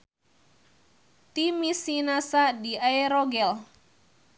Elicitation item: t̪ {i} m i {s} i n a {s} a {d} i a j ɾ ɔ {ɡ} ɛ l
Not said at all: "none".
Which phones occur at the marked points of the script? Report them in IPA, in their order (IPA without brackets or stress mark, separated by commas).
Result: i, s, s, d, ɡ